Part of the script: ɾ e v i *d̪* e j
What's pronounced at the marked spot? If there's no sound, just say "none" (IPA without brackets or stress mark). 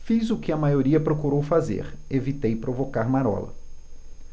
t̪